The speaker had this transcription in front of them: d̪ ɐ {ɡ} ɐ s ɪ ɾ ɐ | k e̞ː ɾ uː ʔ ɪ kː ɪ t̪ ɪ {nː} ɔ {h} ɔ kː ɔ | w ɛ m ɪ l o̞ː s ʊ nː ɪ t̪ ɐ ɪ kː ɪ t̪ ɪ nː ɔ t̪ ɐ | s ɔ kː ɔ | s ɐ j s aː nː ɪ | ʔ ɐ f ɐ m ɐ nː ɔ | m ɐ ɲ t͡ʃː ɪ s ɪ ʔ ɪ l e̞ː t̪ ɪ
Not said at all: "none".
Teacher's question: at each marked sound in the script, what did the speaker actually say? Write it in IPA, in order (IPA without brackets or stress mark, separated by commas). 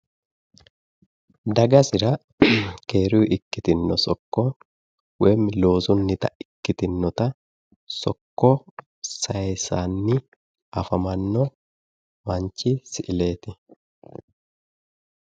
ɡ, nː, s